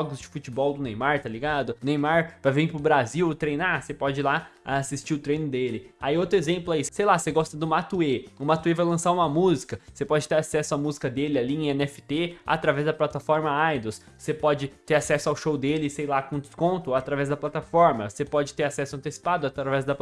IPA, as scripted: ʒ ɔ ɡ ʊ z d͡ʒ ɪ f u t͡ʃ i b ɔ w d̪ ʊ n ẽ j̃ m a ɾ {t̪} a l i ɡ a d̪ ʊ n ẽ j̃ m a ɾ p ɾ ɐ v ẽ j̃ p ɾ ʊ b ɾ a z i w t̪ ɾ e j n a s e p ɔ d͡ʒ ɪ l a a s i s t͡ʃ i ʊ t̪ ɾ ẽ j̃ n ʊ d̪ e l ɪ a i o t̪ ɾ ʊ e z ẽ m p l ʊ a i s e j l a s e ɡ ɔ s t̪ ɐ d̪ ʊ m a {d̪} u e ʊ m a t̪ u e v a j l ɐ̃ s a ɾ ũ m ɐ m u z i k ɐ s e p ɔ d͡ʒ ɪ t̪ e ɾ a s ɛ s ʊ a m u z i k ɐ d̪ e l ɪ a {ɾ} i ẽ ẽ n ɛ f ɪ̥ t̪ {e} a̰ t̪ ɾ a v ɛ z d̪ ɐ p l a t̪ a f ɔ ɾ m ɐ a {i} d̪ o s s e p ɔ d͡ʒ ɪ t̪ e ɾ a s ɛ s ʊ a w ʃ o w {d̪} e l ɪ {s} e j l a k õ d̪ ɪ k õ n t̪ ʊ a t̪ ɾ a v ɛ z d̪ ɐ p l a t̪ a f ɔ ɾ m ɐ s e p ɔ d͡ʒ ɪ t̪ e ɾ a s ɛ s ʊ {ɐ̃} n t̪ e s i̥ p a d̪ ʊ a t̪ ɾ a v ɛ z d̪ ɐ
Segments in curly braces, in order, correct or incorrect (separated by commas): correct, incorrect, incorrect, correct, incorrect, correct, correct, correct